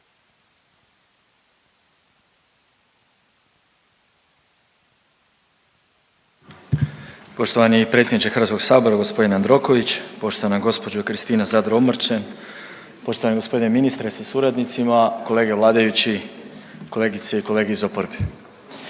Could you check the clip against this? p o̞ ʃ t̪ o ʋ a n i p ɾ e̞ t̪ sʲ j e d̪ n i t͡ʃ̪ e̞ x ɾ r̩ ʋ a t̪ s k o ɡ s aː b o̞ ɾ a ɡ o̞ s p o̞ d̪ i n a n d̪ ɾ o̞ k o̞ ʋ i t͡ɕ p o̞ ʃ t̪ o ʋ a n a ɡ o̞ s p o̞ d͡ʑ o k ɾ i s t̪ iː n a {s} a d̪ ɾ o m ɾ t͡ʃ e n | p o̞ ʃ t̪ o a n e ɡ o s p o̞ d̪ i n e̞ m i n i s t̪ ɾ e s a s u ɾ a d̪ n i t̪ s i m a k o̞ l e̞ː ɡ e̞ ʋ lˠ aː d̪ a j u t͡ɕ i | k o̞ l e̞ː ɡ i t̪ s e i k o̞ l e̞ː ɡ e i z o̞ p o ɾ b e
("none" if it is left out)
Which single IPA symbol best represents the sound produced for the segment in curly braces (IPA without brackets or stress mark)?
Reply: z